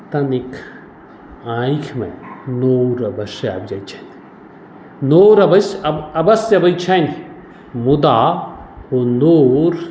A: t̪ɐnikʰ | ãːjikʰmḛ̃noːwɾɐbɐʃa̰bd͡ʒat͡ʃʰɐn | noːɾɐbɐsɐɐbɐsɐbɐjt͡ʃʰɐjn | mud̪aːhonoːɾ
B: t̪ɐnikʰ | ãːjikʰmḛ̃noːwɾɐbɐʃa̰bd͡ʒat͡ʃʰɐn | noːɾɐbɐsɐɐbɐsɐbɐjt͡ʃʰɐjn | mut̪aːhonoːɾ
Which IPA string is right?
A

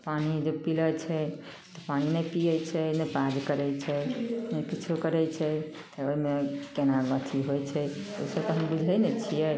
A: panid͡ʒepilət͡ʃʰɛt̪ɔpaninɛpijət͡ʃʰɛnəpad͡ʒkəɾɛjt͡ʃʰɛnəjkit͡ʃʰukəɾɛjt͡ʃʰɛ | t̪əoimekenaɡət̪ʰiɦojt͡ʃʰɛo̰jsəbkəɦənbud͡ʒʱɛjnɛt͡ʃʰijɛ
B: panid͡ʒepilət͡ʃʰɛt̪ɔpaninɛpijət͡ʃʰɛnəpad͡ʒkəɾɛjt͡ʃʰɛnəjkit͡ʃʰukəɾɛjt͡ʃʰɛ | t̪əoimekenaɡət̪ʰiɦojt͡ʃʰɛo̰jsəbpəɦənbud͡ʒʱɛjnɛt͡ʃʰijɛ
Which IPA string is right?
A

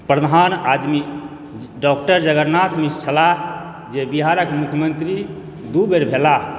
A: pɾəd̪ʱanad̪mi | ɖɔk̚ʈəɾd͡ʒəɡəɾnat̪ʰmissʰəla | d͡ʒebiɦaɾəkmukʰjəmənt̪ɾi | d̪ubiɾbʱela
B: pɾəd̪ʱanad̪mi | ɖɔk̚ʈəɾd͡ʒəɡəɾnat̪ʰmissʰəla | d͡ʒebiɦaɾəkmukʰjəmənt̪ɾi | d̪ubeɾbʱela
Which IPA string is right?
B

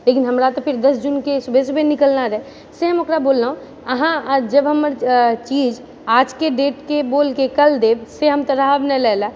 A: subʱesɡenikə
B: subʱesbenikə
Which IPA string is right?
B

